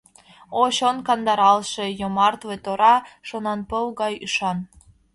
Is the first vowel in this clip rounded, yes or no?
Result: yes